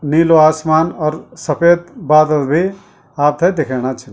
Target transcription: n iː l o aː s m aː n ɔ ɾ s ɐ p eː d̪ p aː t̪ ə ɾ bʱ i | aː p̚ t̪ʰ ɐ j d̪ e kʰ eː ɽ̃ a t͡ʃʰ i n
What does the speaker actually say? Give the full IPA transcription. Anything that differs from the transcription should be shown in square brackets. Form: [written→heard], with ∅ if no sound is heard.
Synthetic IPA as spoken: n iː l o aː s m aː n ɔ ɾ s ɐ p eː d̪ [p→b] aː [t̪→d̪] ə [ɾ→l] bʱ i | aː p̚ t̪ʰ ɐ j d̪ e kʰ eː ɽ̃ a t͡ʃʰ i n

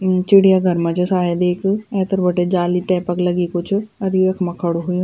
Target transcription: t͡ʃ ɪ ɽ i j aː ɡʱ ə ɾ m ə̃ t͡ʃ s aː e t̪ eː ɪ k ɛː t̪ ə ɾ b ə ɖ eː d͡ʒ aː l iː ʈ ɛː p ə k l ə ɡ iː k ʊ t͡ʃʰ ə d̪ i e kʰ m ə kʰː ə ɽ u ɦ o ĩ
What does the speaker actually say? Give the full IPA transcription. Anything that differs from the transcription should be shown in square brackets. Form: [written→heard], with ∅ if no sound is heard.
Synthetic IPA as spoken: t͡ʃ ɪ ɽ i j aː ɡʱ ə ɾ m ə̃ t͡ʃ s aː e [t̪→d̪] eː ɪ k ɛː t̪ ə ɾ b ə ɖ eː d͡ʒ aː l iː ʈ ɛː p ə k l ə ɡ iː k ʊ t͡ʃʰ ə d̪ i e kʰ m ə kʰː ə ɽ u ɦ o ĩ

